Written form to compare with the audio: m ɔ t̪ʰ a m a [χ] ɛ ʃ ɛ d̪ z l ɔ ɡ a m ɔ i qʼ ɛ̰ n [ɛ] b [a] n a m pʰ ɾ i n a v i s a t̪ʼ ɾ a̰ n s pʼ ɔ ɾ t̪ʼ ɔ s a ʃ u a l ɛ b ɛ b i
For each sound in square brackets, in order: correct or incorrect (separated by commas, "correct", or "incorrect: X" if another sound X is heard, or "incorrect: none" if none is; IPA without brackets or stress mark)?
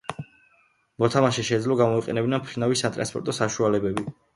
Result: incorrect: ʃ, correct, incorrect: i